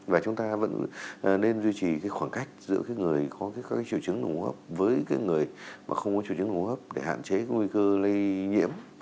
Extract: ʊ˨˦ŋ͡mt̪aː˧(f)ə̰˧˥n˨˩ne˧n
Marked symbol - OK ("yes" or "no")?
no